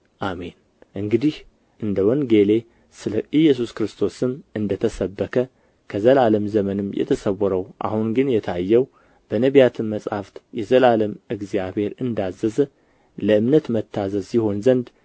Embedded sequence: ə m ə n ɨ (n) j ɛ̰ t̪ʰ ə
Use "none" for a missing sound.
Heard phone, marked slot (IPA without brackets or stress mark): m